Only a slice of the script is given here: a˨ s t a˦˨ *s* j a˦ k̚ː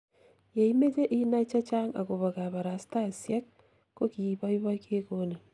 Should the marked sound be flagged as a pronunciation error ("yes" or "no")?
no